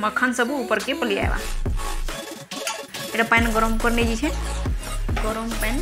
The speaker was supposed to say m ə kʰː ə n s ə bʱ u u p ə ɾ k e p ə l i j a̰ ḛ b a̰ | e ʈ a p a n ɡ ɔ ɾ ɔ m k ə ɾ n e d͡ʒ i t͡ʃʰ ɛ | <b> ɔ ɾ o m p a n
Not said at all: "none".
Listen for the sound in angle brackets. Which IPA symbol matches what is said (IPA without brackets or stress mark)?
ɡ